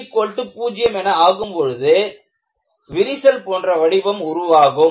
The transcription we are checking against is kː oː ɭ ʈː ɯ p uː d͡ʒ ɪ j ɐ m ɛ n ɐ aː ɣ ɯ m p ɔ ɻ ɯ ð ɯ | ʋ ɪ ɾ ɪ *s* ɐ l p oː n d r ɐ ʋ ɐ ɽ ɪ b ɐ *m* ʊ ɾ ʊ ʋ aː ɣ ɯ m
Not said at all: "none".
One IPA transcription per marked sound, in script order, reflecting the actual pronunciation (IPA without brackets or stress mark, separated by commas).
s, m